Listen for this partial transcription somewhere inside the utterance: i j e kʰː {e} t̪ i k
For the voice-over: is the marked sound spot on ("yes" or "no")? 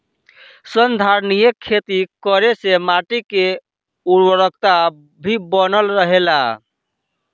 yes